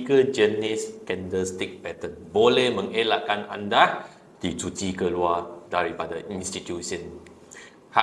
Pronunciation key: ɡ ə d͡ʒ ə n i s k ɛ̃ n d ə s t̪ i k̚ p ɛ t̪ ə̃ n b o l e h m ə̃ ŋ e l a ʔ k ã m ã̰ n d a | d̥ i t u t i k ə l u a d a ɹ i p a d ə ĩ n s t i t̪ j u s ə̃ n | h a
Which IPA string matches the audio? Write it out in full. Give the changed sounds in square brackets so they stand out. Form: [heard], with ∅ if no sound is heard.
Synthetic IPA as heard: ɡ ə d͡ʒ ə n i s k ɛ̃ n d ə s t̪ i k̚ p ɛ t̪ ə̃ n b o l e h m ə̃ ŋ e l a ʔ k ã [n] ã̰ n d a | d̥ i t u t i k ə l u a d a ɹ i p a d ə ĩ n s t i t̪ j u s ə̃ n | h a